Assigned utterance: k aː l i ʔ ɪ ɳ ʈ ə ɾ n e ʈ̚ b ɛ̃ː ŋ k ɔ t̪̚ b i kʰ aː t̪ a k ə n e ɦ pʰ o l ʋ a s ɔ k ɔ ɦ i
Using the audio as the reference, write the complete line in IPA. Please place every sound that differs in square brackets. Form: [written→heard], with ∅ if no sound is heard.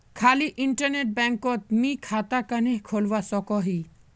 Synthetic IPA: [k→kʰ] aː l i ʔ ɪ ɳ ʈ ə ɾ n e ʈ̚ b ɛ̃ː ŋ k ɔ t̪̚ [b→m] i kʰ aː t̪ a k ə n e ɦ [pʰ→kʰ] o l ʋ a s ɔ k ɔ ɦ i